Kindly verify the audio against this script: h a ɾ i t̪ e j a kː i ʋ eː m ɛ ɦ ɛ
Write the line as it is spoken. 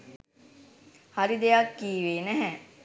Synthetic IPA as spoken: h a ɾ i d̪ e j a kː iː ʋ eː n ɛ ɦ ɛ